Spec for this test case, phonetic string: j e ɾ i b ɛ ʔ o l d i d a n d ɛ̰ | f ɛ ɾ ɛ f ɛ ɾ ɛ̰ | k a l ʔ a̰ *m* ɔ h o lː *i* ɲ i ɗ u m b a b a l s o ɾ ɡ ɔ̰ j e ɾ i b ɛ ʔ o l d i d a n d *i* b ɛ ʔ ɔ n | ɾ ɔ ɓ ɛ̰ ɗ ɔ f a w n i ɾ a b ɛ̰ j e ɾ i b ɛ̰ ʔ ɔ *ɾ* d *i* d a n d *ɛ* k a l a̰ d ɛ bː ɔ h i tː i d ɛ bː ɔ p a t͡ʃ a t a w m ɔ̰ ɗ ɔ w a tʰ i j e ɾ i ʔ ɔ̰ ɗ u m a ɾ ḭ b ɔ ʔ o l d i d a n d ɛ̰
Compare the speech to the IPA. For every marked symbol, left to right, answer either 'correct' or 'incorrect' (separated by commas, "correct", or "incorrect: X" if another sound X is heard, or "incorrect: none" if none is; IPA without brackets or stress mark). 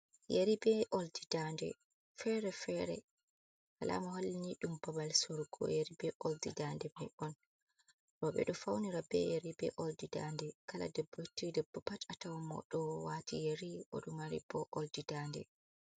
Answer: correct, correct, incorrect: ɛ, incorrect: l, correct, correct